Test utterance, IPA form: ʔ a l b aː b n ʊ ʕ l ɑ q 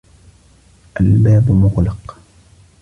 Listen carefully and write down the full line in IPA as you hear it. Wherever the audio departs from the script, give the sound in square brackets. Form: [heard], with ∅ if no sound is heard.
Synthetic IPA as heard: ʔ a l b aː b [m] ʊ [ɣ] l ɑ q

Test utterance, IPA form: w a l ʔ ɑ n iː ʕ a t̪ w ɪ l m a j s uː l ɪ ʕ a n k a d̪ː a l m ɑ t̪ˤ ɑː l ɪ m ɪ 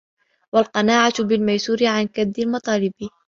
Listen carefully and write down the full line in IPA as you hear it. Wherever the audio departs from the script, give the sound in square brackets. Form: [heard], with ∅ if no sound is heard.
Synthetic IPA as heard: w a l [q] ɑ n [aː] ʕ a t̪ [b] ɪ l m a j s uː [ɾ] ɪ ʕ a n k a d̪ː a l m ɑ t̪ˤ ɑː l ɪ [b] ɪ

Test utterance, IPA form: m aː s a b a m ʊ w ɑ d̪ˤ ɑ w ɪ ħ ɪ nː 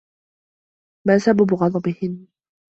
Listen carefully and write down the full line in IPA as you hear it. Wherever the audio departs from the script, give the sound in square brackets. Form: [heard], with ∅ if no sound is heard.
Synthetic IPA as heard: m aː s a b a [b] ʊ [ɣ] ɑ d̪ˤ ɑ [b] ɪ [h] ɪ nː

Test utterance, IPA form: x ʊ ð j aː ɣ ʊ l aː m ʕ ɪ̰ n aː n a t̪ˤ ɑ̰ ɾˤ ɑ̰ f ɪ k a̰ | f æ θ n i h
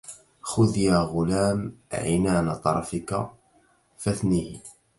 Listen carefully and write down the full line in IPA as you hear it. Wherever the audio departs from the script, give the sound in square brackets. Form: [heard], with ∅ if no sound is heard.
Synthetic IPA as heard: x ʊ ð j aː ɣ ʊ l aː m ʕ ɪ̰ n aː n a t̪ˤ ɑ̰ ɾˤ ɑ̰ f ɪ k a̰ | f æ θ n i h

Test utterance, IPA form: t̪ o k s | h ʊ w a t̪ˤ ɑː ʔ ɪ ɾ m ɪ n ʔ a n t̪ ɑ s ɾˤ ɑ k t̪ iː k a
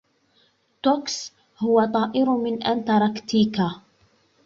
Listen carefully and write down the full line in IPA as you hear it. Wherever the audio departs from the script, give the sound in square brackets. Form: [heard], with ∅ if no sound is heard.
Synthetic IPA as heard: t̪ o k s | h ʊ w a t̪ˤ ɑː ʔ ɪ ɾ m ɪ n ʔ a n t̪ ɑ [∅] ɾˤ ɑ k t̪ iː k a

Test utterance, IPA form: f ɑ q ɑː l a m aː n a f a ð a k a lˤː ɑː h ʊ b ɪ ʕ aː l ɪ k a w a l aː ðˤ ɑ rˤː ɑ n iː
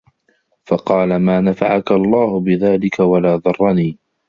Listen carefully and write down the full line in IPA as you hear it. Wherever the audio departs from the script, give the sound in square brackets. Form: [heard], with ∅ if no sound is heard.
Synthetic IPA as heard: f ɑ q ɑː l a m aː n a f a [ʕ] a k a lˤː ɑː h ʊ b ɪ [ð] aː l ɪ k a w a l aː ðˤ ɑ rˤː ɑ n iː

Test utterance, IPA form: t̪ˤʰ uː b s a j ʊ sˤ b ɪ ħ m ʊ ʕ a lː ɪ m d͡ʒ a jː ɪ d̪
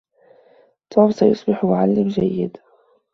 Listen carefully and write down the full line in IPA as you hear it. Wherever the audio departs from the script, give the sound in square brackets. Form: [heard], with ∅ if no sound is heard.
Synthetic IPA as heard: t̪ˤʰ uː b s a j ʊ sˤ b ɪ ħ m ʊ ʕ a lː ɪ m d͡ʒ a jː ɪ d̪

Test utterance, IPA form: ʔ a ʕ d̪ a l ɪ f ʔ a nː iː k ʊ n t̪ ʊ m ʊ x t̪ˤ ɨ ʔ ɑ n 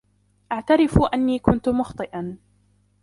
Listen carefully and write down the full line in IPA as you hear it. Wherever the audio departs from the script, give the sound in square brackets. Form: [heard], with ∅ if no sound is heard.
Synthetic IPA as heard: ʔ a ʕ [t̪] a [ɾ] ɪ f ʔ a nː iː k ʊ n t̪ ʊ m ʊ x t̪ˤ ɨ ʔ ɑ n

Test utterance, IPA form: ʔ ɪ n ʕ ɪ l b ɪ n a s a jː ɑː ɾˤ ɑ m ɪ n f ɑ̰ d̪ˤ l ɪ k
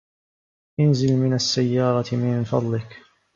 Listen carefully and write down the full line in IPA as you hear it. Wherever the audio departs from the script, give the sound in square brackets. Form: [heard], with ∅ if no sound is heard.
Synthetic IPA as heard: ʔ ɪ n [z] ɪ l [m] ɪ n a [sː] a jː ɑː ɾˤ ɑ m ɪ n f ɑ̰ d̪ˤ l ɪ k

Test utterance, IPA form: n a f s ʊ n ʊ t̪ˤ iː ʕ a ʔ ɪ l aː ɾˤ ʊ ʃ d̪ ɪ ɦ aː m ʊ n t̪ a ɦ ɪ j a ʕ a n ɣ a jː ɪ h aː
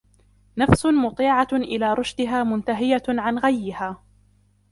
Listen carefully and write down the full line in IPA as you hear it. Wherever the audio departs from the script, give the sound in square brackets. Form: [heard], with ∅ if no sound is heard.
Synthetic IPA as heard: n a f s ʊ [m] ʊ t̪ˤ iː ʕ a ʔ ɪ l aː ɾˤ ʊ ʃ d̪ ɪ ɦ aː m ʊ n t̪ a ɦ ɪ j a ʕ a n ɣ a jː ɪ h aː

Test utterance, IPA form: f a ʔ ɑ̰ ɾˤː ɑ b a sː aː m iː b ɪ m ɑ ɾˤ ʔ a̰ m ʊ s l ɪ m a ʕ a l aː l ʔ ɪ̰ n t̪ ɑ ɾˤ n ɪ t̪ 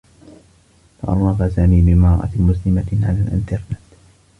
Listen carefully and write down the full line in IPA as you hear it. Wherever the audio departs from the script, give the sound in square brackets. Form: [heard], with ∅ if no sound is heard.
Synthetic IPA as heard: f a ʔ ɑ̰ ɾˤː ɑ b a [s] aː m iː b ɪ m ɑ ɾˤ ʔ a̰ m ʊ s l ɪ m a ʕ a l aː l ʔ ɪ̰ n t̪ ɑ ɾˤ n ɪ t̪

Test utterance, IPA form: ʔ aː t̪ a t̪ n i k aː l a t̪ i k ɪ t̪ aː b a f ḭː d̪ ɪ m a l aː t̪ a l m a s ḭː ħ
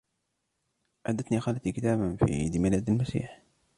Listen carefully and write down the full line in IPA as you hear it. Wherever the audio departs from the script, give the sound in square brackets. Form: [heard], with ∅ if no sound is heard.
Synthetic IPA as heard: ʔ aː [d̪] a t̪ n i [x] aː l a t̪ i k ɪ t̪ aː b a f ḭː d̪ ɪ m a l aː [d̪] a l m a s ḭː ħ

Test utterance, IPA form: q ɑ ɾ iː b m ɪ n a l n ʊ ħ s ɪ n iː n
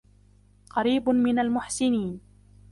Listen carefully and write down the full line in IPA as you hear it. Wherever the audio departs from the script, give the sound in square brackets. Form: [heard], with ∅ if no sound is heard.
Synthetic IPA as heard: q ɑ ɾ iː b m ɪ n a l [m] ʊ ħ s ɪ n iː n

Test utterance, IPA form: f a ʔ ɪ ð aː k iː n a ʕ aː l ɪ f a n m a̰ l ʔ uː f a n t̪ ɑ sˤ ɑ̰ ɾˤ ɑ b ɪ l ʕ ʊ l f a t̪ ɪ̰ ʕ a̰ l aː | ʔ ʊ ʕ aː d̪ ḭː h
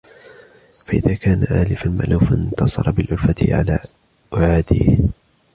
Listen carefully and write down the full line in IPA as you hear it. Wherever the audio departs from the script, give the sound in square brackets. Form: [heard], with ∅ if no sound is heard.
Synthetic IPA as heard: f a ʔ ɪ ð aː k [aː] n a ʕ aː l ɪ f a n m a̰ l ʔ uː f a n t̪ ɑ sˤ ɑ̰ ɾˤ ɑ b ɪ l ʕ ʊ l f a t̪ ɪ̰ ʕ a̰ l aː | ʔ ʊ ʕ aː d̪ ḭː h

